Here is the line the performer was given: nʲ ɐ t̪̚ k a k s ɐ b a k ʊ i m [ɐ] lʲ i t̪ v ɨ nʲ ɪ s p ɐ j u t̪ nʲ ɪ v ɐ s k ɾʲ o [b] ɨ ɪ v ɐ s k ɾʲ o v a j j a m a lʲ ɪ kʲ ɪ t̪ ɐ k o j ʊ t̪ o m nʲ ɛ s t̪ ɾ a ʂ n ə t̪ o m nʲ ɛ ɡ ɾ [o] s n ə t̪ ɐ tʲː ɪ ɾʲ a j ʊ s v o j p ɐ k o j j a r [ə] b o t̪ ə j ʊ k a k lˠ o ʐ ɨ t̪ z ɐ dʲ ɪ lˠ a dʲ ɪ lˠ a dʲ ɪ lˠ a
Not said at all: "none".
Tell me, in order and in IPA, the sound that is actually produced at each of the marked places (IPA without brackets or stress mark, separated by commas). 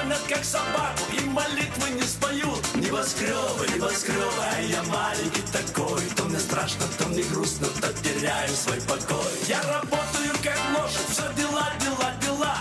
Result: ɐ, v, u, ɐ